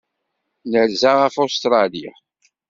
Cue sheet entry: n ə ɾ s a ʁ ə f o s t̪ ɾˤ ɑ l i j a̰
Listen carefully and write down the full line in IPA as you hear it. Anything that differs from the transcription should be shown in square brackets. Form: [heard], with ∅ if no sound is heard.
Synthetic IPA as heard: n ə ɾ [z] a ʁ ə f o s t̪ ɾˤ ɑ l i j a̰